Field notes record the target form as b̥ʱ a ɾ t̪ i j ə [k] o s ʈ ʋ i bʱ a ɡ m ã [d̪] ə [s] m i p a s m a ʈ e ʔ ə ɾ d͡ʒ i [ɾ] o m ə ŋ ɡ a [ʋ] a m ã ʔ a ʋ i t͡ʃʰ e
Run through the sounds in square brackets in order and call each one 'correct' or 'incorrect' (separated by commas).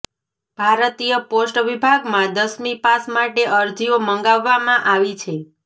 incorrect, correct, correct, incorrect, incorrect